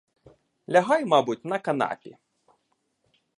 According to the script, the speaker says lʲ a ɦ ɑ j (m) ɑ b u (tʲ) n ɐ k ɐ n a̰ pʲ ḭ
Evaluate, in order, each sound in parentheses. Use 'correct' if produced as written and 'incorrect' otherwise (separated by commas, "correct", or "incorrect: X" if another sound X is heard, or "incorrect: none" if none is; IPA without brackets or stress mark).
correct, correct